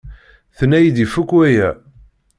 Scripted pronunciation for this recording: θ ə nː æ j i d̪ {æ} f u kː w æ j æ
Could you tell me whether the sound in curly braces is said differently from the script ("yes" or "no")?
yes